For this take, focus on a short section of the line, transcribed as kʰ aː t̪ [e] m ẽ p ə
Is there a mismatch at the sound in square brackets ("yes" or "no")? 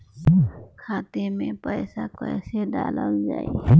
no